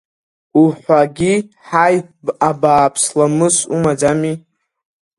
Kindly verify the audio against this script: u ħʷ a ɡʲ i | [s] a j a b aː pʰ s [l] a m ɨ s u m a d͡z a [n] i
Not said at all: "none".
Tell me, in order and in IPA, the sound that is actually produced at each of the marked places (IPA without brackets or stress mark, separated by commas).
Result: ħ, l, m